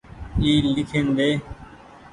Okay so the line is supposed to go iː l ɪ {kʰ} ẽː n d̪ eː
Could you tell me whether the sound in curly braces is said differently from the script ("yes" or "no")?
no